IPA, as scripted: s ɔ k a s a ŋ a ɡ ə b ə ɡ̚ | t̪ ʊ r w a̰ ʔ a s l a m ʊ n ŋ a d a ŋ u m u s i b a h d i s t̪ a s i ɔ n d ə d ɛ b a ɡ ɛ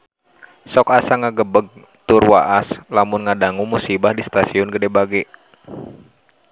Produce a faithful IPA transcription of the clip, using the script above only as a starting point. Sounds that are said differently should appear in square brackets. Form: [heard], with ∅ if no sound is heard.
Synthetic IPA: s ɔ k a s a ŋ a ɡ ə b ə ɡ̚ | t̪ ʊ r w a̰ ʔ a s l a m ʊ n ŋ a d a ŋ u m u s i b a h d i s t̪ a s i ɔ n [ɡ] ə d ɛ b a ɡ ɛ